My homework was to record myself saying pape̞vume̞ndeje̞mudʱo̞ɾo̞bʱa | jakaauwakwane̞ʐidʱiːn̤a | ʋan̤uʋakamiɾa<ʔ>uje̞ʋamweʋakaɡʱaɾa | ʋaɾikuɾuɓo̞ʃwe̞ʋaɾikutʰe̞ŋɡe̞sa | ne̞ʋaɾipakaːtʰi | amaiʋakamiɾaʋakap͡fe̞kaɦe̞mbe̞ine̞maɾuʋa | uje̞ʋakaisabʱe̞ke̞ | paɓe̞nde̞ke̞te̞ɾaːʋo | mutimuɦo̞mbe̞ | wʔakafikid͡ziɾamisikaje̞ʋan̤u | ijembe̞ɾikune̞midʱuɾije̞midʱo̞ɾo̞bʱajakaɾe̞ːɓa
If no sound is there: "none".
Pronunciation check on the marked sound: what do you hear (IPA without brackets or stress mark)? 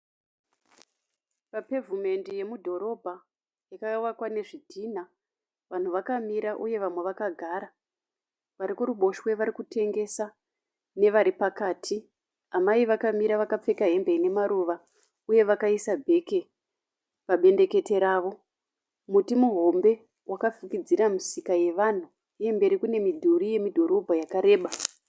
ʔ